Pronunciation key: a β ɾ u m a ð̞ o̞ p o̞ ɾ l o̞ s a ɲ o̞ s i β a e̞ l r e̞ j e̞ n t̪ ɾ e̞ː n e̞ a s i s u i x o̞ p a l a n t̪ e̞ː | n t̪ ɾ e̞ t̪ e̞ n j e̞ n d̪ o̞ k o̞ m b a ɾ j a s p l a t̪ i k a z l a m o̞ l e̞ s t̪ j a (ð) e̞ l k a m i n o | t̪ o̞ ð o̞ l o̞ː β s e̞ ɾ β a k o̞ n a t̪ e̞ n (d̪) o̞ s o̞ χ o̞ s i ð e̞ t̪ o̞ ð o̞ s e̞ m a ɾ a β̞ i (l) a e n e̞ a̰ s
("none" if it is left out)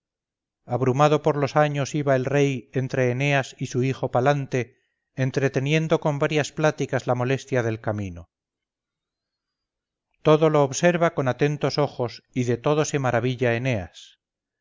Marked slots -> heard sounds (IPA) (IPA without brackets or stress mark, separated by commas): ð, t̪, ʎ